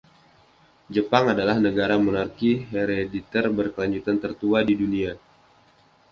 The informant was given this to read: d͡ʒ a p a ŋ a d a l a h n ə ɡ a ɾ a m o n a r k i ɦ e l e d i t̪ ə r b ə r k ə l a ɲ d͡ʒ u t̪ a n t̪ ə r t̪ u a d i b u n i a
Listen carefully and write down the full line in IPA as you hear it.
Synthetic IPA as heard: d͡ʒ ə p a ŋ a d a l a h n ə ɡ a ɾ a m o n a r k i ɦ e ɾ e d i t̪ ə r b ə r k ə l a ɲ d͡ʒ u t̪ a n t̪ ə r t̪ u a d i d u n i a